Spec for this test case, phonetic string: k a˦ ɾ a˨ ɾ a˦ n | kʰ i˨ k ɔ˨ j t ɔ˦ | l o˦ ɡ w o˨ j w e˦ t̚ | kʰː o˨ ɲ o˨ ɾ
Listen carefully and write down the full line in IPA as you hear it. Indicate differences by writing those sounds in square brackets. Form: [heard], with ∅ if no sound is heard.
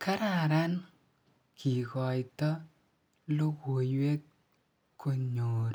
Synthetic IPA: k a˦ ɾ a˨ ɾ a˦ n | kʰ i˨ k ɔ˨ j t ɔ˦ | l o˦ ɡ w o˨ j w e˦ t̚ | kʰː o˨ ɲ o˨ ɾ